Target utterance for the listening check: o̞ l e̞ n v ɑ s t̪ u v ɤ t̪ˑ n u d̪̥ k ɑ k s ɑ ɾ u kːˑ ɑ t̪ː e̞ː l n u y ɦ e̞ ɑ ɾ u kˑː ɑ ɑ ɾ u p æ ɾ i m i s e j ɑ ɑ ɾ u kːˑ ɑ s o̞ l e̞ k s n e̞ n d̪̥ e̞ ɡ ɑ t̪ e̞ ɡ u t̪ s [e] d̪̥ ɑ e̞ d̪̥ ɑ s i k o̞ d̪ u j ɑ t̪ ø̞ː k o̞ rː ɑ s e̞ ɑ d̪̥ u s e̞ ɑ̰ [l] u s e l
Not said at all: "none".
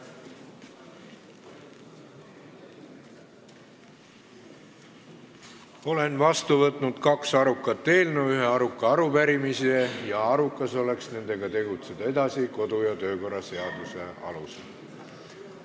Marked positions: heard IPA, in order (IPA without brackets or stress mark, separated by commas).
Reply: e, l